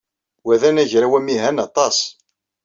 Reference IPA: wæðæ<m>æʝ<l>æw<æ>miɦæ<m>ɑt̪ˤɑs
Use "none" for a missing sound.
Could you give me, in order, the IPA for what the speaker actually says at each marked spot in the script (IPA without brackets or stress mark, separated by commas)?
n, ɾ, æ, n